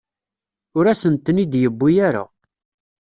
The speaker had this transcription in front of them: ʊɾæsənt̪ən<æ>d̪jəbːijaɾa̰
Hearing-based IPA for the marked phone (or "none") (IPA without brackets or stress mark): i